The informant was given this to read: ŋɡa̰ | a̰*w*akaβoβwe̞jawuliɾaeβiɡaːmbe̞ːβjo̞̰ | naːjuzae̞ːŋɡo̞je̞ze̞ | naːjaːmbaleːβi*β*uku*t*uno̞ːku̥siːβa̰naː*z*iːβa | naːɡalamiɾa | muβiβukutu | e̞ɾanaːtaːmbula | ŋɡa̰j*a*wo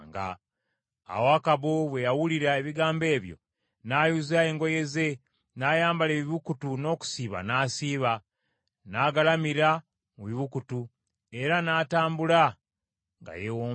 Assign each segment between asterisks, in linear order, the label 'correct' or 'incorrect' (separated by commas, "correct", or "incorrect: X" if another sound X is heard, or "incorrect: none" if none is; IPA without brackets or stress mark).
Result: correct, correct, correct, incorrect: s, incorrect: e